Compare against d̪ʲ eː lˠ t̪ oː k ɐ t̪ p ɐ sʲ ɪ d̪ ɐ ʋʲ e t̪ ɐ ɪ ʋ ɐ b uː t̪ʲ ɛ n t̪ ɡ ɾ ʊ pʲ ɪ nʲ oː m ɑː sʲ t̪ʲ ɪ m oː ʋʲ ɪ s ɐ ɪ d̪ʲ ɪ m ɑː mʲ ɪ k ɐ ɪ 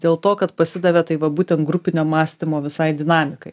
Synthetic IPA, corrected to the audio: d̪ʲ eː lˠ t̪ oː k ɐ t̪ p ɐ sʲ ɪ d̪ ɐ ʋʲ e t̪ ɐ ɪ ʋ ɐ b uː t̪ʲ ɛ n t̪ ɡ ɾ ʊ pʲ ɪ nʲ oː m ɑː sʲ t̪ʲ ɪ m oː ʋʲ ɪ s ɐ ɪ d̪ʲ ɪ n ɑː mʲ ɪ k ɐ ɪ